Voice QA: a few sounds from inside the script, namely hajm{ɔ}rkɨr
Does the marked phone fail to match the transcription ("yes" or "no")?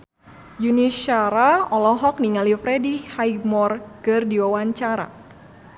no